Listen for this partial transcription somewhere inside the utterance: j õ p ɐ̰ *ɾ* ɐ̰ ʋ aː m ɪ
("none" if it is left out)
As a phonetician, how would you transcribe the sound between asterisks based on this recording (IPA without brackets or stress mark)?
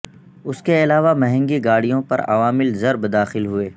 ɾ